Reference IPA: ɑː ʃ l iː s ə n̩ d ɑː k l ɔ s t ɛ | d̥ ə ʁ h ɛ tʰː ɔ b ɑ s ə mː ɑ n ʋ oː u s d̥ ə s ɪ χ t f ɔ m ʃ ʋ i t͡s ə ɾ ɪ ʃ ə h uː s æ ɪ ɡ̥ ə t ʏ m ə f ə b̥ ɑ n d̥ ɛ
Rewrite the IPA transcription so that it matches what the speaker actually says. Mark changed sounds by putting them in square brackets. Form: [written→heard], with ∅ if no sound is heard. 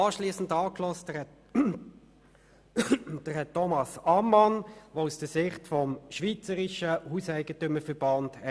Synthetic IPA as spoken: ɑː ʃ l iː s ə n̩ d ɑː k l ɔ s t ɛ | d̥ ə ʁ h ɛ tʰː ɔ [b→m] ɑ s [ə→ɑ] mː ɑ n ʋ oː u s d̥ ə s ɪ χ t f ɔ m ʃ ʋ i t͡s ə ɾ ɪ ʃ ə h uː s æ ɪ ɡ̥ ə t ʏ m ə f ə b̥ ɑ n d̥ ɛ

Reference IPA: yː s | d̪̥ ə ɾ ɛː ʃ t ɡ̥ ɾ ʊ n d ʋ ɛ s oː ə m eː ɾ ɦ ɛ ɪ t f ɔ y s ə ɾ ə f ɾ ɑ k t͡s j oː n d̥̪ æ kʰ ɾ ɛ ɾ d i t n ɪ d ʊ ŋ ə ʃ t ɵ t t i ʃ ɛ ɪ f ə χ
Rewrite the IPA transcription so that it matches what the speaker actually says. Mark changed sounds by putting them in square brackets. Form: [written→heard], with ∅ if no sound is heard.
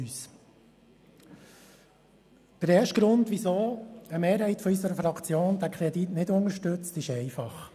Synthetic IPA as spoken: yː s | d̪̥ ə ɾ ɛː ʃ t ɡ̥ ɾ ʊ n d ʋ [ɛ→i] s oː ə m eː ɾ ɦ ɛ ɪ t f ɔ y s ə ɾ ə f ɾ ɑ k t͡s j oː n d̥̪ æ kʰ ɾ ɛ [ɾ→∅] d i t n ɪ d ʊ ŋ ə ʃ t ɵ [t→t͡s] t [i→ɪ] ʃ ɛ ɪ f [ə→ɑ] χ

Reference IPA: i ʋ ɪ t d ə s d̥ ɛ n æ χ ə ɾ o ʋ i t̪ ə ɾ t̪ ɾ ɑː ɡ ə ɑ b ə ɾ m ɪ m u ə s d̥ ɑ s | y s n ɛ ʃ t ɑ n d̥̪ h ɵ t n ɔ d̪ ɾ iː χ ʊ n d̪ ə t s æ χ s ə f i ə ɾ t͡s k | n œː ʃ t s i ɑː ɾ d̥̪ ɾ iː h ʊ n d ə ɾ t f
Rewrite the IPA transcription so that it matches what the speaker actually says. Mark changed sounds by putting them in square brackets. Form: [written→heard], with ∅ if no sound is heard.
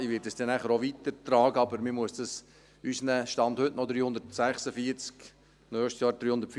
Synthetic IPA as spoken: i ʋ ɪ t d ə s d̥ ɛ n æ χ ə ɾ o ʋ i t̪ ə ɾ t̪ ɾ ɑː ɡ ə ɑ b ə ɾ m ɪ m u ə s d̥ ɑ s | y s n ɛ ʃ t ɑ n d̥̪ h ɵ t n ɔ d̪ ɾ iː [χ→h] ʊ n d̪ ə t s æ χ s ə f i ə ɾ t͡s k | n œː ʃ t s [i→j] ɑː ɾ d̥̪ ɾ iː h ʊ n d ə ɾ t f

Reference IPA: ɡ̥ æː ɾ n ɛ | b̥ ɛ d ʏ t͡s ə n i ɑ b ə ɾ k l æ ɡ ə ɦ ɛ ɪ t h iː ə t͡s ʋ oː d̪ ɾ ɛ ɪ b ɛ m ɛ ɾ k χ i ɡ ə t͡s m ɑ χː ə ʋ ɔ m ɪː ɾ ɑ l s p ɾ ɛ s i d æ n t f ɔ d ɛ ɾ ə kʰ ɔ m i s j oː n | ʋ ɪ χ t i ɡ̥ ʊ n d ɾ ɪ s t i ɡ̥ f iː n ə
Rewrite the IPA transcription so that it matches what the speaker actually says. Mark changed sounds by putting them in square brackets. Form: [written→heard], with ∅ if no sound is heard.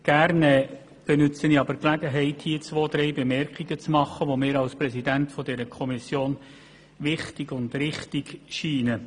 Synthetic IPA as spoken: ɡ̥ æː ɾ n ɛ | b̥ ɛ [d→n] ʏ t͡s ə n i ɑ b ə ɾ k l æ ɡ ə ɦ ɛ ɪ t h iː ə t͡s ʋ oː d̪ ɾ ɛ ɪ b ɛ m ɛ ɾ k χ i ɡ ə t͡s m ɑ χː ə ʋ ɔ m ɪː ɾ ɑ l s p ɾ ɛ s i d æ n t f ɔ d ɛ ɾ ə kʰ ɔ m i s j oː n | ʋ ɪ χ t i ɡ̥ ʊ n d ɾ ɪ [s→χ] t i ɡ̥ [f→ʃ] iː n ə

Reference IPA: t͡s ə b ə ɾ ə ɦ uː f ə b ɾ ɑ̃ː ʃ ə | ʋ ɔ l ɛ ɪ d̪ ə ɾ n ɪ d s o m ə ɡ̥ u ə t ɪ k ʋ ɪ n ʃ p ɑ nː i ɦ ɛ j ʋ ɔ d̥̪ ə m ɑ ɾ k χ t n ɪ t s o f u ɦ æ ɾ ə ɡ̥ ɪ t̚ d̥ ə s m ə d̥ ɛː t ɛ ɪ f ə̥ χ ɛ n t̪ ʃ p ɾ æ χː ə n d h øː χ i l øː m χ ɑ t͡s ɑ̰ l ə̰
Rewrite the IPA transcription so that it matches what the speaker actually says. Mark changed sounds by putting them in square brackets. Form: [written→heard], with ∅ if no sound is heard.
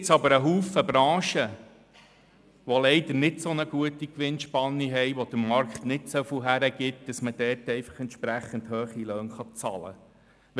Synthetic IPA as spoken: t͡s [ə→ɑ] b ə ɾ ə ɦ uː f ə b ɾ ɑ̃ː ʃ ə | ʋ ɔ l ɛ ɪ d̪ ə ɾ n ɪ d s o [m→n] ə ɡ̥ u ə t [ɪ→i] k ʋ ɪ n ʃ p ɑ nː i ɦ ɛ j ʋ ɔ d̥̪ ə m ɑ ɾ k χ t n ɪ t s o f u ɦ æ ɾ ə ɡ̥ ɪ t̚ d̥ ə s m ə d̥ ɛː t ɛ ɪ f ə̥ χ ɛ n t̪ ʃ p ɾ æ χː ə n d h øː χ i l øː [m→n] χ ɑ t͡s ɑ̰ l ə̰

